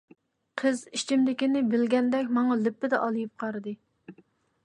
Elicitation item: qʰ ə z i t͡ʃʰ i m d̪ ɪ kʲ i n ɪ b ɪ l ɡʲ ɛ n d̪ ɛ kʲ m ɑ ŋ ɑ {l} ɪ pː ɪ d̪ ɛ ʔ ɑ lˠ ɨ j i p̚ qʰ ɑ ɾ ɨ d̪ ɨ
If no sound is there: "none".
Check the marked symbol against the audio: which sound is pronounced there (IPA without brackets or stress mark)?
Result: l